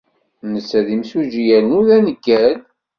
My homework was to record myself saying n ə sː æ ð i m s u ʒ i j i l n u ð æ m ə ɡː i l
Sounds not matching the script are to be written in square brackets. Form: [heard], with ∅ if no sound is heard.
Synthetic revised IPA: n ə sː æ ð i m s u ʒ i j [æ] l n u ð æ [n] ə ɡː [æ] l